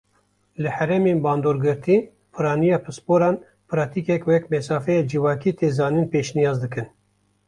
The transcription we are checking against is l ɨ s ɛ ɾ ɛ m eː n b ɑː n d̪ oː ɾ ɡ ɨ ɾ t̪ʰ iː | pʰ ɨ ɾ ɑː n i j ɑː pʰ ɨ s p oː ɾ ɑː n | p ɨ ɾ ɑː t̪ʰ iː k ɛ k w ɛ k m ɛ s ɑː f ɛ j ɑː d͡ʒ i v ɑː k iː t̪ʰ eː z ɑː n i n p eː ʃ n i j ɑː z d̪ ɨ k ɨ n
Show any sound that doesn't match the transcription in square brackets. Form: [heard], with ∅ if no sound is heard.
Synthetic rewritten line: l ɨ [h] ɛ ɾ ɛ m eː n b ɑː n d̪ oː ɾ ɡ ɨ ɾ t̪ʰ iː | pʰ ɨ ɾ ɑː n i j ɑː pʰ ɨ s p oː ɾ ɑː n | p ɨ ɾ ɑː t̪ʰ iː k ɛ k w ɛ k m ɛ s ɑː f ɛ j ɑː d͡ʒ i v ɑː k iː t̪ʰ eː z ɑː n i n p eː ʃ n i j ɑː z d̪ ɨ k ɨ n